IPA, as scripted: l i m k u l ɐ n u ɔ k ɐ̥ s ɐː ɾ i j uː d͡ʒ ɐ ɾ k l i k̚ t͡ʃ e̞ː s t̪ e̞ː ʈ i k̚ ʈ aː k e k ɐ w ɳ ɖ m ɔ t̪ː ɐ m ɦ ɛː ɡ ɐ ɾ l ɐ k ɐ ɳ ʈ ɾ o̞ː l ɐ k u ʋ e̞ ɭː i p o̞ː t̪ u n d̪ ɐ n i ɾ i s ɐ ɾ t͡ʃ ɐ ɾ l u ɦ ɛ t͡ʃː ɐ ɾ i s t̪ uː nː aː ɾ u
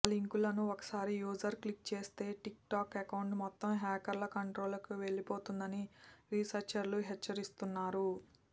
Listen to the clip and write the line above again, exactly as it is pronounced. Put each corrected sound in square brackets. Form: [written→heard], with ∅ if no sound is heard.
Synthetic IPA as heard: l i [m→ŋ] k u l ɐ n u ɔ k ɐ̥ s [ɐː→aː] ɾ i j uː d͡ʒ ɐ ɾ k l i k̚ t͡ʃ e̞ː s t̪ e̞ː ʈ i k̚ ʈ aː k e k ɐ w ɳ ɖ m ɔ t̪ː ɐ m ɦ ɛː [ɡ→k] ɐ ɾ l ɐ k ɐ ɳ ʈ ɾ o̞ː l ɐ k u ʋ e̞ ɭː i p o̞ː t̪ u n d̪ ɐ n i ɾ i s ɐ ɾ t͡ʃ ɐ ɾ l u ɦ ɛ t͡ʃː ɐ ɾ i s t̪ [uː→u] nː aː ɾ u

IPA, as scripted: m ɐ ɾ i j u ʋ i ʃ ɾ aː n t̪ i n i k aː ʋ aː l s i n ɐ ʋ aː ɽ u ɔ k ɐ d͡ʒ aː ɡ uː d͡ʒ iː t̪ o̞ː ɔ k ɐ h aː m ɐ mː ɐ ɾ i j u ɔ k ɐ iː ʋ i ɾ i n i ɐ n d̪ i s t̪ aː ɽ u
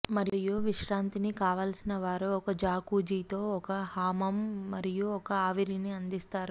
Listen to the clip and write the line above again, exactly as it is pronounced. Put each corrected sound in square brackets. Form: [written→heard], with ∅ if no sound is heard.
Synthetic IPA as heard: m ɐ ɾ i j u ʋ i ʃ ɾ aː n t̪ i n i k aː ʋ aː l s i n ɐ ʋ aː [ɽ→ɾ] u ɔ k ɐ d͡ʒ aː [ɡ→k] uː d͡ʒ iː t̪ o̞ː ɔ k ɐ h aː m ɐ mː ɐ ɾ i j u ɔ k ɐ [iː→aː] ʋ i ɾ i n i ɐ n d̪ i s t̪ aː [ɽ→ɾ] u

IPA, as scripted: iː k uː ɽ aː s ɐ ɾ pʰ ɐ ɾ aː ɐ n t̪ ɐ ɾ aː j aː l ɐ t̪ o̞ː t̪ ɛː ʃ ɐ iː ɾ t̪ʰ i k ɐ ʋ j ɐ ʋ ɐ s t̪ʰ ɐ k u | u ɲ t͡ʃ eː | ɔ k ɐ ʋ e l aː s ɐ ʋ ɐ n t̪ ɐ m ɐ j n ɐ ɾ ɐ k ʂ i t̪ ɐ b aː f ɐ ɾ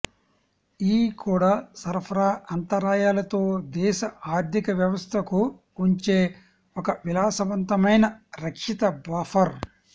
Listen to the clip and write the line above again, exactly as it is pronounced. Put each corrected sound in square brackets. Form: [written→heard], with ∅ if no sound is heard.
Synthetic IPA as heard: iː k uː ɽ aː s ɐ ɾ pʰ ɐ ɾ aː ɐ n t̪ ɐ ɾ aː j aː l ɐ t̪ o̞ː [t̪→d̪] ɛː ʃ ɐ [iː→aː] ɾ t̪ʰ i k ɐ ʋ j ɐ ʋ ɐ s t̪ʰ ɐ k u | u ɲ t͡ʃ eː | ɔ k ɐ ʋ [e→i] l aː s ɐ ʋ ɐ n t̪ ɐ m ɐ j n ɐ ɾ ɐ k ʂ i t̪ ɐ b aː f ɐ ɾ

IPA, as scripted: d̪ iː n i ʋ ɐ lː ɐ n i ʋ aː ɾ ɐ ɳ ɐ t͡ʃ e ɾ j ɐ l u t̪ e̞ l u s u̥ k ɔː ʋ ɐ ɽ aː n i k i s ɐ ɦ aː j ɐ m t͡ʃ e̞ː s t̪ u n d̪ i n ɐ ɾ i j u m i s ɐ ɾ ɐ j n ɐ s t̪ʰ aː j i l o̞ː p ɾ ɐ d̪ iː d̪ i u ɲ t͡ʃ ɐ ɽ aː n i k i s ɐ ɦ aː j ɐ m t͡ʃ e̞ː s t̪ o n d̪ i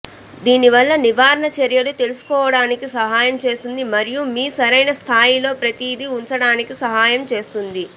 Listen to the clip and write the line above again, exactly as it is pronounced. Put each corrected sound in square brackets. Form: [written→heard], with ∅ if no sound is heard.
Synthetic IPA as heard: d̪ iː n i ʋ ɐ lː ɐ n i ʋ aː ɾ ɐ ɳ ɐ t͡ʃ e ɾ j ɐ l u t̪ e̞ l u s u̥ k ɔː ʋ ɐ ɽ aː n i k i s ɐ ɦ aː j ɐ m t͡ʃ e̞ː s t̪ u n d̪ i [n→m] ɐ ɾ i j u m [i→iː] s ɐ ɾ ɐ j n ɐ s t̪ʰ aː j i l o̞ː p ɾ ɐ [d̪→t̪] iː d̪ i u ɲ t͡ʃ ɐ ɽ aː n i k i s ɐ ɦ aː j ɐ m t͡ʃ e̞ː s t̪ [o→u] n d̪ i

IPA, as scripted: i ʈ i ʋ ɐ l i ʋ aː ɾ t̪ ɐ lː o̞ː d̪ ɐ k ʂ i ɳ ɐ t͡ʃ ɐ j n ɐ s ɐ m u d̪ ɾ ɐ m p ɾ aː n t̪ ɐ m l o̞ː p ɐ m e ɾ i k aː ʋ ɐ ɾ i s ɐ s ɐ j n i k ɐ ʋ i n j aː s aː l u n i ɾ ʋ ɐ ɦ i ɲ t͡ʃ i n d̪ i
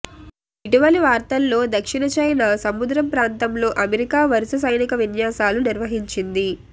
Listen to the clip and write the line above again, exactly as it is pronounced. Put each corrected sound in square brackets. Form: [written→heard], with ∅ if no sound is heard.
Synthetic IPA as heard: i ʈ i ʋ ɐ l i ʋ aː ɾ t̪ ɐ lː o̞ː d̪ ɐ k ʂ i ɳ ɐ t͡ʃ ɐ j n ɐ s ɐ m u d̪ ɾ ɐ m p ɾ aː n t̪ ɐ m l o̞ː [p→ʔ] ɐ m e ɾ i k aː ʋ ɐ ɾ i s ɐ s ɐ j n i k ɐ ʋ i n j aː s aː l u n i ɾ ʋ ɐ ɦ i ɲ t͡ʃ i n d̪ i

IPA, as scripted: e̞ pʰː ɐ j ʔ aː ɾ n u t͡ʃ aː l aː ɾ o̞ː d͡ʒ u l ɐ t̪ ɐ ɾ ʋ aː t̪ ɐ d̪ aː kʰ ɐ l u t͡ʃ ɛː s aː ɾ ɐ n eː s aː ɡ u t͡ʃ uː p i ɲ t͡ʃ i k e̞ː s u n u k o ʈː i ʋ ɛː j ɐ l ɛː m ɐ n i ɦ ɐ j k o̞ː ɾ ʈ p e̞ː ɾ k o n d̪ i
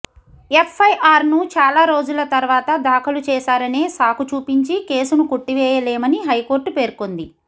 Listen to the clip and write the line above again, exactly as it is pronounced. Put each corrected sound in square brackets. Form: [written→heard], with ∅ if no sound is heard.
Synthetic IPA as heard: e̞ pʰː ɐ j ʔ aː ɾ n u t͡ʃ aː l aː ɾ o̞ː d͡ʒ u l ɐ t̪ ɐ ɾ ʋ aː t̪ ɐ d̪ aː kʰ ɐ l u t͡ʃ ɛː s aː ɾ ɐ n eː s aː [ɡ→k] u t͡ʃ uː p i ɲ t͡ʃ i k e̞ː s u n u k o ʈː i ʋ ɛː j ɐ l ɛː m ɐ n i ɦ ɐ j k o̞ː ɾ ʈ p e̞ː ɾ k o n d̪ i

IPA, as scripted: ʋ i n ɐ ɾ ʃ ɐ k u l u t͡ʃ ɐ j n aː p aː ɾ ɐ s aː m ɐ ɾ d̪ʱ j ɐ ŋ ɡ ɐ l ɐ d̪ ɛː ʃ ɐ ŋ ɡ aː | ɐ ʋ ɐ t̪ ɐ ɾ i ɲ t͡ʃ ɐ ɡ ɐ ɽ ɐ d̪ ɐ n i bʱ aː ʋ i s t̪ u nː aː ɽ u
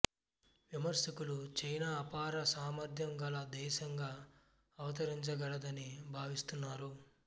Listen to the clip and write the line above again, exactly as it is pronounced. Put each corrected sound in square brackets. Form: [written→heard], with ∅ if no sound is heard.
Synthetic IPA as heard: ʋ i [n→m] ɐ ɾ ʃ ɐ k u l u t͡ʃ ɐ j n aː p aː ɾ ɐ s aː m ɐ ɾ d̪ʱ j ɐ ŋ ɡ ɐ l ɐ d̪ ɛː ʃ ɐ ŋ ɡ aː | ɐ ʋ ɐ t̪ ɐ ɾ i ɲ t͡ʃ ɐ ɡ ɐ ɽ ɐ d̪ ɐ n i bʱ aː ʋ i s t̪ u nː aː [ɽ→ɾ] u

